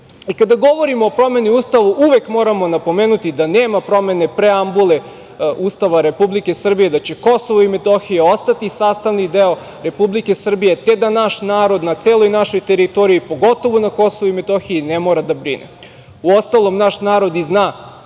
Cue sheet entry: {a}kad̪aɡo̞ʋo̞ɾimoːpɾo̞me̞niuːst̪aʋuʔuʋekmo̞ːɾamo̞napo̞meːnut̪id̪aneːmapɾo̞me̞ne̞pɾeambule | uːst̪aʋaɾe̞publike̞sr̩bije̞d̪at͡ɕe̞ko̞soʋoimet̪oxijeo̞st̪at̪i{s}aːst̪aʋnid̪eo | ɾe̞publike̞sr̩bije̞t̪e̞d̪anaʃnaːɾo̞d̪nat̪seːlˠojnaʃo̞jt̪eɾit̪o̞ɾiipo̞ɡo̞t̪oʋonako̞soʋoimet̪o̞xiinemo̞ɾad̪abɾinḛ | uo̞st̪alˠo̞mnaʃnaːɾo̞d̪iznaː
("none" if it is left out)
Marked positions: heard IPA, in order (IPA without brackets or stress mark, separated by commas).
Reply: i, s